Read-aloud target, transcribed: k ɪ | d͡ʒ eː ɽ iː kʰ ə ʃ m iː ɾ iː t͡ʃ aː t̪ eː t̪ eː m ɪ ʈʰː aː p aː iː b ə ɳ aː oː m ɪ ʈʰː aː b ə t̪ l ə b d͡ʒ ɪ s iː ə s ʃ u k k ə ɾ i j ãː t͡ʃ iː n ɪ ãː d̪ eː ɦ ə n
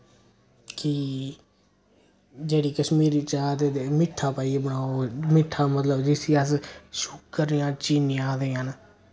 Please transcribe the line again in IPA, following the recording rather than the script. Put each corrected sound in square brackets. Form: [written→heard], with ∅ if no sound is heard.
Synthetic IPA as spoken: k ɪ | d͡ʒ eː ɽ iː [kʰ→k] ə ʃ m iː ɾ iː t͡ʃ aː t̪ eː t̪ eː m ɪ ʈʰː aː p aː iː b ə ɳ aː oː m ɪ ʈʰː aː [b→m] ə t̪ l ə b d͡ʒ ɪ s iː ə s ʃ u k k ə ɾ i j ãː t͡ʃ iː n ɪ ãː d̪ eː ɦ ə n